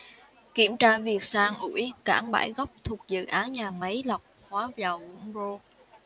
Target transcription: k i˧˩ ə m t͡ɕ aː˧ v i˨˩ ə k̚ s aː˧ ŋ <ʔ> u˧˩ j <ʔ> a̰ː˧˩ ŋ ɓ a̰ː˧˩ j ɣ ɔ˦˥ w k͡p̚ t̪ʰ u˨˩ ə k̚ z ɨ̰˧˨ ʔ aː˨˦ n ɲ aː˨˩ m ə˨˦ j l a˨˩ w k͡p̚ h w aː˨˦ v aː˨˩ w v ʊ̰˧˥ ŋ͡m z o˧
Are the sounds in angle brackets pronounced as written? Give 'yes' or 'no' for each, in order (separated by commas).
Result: yes, no